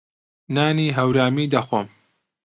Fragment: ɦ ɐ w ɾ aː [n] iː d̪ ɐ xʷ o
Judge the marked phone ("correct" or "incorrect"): incorrect